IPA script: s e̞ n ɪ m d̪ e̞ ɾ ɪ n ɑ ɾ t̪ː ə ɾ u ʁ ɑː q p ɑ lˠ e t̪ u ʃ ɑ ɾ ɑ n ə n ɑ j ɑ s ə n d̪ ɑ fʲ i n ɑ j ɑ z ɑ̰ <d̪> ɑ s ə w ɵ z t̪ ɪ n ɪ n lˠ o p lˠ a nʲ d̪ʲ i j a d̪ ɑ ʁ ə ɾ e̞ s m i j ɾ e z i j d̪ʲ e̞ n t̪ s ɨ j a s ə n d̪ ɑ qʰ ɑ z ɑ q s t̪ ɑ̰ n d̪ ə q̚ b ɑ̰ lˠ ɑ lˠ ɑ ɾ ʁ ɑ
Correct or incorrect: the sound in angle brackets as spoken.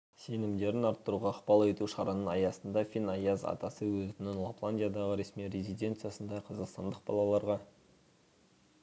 incorrect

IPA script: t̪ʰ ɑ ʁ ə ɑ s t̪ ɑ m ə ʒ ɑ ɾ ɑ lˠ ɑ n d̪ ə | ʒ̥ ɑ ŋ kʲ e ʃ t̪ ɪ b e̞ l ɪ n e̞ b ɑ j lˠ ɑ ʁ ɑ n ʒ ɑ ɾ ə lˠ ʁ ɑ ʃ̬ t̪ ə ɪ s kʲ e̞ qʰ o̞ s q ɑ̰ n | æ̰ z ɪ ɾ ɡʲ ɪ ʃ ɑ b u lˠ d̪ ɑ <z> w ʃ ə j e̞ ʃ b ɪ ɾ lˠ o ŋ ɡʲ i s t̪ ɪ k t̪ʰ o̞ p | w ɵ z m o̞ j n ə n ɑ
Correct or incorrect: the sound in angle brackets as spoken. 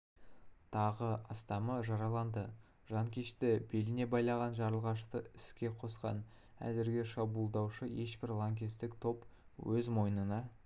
incorrect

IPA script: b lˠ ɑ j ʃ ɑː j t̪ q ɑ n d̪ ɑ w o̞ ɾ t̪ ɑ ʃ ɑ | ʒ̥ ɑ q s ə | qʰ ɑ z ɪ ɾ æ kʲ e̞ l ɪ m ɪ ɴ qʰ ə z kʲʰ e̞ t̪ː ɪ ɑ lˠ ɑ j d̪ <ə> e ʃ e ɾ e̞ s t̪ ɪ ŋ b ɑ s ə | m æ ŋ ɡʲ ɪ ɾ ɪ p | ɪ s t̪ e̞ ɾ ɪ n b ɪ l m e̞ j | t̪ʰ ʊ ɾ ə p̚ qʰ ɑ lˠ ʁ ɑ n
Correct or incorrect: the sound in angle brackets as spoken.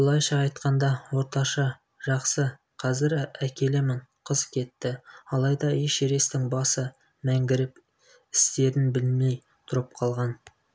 incorrect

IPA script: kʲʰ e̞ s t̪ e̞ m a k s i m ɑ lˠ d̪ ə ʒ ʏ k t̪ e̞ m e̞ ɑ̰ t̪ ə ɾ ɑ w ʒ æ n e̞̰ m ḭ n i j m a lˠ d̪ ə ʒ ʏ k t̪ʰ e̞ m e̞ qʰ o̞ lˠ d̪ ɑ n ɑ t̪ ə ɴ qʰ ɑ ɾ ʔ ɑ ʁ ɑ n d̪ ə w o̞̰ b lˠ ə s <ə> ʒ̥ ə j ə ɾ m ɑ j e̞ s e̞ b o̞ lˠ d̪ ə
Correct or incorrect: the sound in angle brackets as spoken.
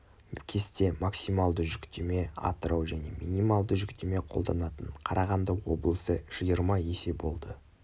correct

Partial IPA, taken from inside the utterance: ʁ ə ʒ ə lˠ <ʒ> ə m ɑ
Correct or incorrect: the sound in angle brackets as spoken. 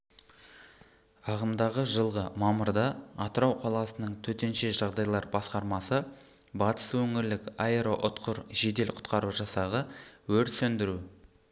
incorrect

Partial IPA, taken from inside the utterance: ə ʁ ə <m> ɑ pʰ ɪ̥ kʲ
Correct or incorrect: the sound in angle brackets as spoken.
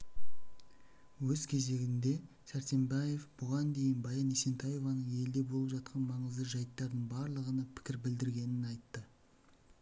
incorrect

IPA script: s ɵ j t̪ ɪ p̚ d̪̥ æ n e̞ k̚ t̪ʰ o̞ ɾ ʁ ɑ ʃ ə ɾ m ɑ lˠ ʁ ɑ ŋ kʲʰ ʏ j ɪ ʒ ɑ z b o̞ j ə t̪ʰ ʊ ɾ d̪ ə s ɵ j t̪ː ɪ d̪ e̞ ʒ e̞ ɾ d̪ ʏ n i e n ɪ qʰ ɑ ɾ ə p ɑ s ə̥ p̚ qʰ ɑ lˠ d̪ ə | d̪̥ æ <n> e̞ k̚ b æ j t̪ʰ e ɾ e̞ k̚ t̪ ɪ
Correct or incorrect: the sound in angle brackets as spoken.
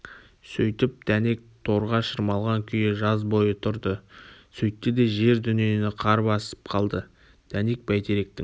correct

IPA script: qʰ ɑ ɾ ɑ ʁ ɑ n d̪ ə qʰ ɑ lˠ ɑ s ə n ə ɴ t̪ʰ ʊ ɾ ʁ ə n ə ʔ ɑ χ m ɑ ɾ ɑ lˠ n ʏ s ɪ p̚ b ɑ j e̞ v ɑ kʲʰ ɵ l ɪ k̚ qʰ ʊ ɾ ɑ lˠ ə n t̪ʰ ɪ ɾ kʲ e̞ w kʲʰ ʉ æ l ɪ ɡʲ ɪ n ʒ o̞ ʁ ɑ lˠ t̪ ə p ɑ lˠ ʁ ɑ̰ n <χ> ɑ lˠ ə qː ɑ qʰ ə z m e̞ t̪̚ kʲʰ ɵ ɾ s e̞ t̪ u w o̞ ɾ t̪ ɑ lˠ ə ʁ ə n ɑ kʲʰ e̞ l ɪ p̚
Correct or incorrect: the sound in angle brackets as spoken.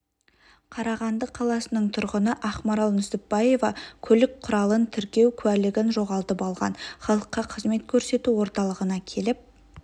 correct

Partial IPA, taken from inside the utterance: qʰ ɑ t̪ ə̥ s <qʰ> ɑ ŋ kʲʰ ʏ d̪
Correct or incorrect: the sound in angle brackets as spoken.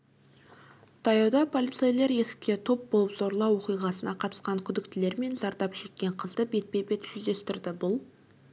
incorrect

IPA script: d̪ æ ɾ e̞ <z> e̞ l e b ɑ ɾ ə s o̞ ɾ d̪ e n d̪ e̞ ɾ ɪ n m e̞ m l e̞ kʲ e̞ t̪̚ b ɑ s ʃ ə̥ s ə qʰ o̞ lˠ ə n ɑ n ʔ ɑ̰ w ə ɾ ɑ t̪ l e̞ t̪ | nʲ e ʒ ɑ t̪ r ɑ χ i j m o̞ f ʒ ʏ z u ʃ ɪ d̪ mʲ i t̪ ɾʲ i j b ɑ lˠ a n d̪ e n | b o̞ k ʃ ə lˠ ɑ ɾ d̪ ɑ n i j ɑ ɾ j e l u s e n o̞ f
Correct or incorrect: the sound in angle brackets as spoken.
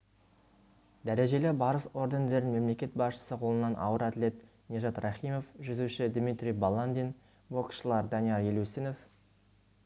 incorrect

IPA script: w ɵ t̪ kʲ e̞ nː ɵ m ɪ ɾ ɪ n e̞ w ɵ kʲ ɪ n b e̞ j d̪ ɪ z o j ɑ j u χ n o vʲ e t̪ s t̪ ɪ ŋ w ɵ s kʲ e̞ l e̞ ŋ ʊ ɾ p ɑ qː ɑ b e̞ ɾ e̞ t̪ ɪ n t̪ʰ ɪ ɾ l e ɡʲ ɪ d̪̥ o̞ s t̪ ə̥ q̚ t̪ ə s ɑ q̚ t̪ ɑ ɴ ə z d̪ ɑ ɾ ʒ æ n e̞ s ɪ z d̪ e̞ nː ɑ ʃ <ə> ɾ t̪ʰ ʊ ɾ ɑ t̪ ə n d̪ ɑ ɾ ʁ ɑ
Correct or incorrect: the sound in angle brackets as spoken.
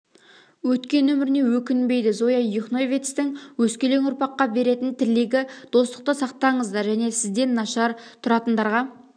incorrect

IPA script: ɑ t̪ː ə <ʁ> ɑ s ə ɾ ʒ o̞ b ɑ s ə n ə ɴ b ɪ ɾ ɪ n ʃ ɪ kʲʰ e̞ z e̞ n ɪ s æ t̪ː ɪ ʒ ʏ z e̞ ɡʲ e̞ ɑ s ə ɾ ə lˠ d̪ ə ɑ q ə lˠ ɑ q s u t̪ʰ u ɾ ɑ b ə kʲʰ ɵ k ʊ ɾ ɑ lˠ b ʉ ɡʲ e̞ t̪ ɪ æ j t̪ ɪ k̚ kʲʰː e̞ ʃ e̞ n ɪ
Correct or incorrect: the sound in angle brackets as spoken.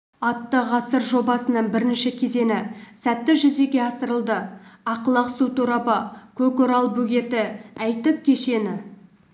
correct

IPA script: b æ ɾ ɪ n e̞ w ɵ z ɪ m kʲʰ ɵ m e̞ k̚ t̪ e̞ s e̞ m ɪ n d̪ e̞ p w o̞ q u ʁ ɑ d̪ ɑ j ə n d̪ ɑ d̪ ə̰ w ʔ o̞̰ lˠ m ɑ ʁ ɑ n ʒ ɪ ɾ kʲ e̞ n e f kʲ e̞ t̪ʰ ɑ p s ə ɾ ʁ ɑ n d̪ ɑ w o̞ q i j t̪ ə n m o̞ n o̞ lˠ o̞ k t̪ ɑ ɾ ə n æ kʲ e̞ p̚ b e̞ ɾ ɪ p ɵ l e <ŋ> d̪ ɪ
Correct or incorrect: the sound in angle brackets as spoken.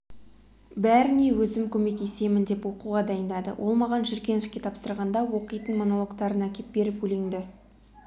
correct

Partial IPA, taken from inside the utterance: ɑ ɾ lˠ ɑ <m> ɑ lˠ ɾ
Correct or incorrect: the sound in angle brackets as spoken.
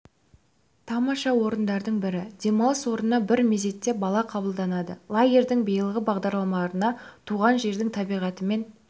correct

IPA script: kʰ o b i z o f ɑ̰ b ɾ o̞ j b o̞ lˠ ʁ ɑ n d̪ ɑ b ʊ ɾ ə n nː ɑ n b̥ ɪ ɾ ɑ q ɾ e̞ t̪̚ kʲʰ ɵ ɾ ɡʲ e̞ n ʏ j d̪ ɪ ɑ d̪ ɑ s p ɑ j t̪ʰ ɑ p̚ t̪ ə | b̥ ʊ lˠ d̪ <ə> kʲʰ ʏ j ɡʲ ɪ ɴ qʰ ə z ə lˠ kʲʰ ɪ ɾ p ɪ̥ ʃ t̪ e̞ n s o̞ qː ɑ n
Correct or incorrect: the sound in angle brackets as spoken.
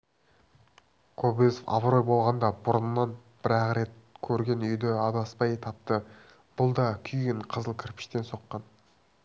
incorrect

